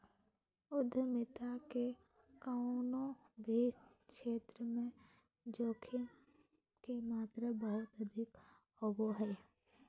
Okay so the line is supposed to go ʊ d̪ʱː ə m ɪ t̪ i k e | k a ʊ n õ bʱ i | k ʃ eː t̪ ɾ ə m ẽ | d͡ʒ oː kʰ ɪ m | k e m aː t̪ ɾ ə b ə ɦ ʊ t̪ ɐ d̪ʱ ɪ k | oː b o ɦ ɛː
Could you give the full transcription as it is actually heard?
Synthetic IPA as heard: ʊ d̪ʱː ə m ɪ t̪ a k e | k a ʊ n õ bʱ i | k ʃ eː t̪ ɾ ə m ẽ | d͡ʒ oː kʰ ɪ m | k e m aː t̪ ɾ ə b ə ɦ ʊ t̪ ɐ d̪ʱ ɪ k | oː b o ɦ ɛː